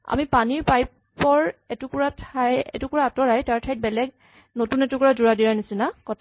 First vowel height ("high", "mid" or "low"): low